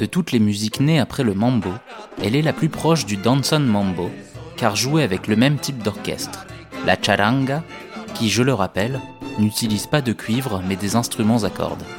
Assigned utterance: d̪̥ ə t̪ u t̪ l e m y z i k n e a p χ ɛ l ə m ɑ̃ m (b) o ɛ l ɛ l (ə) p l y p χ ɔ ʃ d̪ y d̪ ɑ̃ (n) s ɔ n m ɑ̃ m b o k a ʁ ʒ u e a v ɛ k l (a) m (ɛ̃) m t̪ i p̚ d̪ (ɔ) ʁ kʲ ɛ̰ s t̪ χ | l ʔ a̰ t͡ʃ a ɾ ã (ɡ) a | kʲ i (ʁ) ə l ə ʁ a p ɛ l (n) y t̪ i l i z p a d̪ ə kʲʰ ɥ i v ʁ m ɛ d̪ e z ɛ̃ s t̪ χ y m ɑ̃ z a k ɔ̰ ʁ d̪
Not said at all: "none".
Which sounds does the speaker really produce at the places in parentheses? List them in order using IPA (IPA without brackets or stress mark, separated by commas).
b, a, n, ə, ɛ, ɔ, ɡ, ʒ, n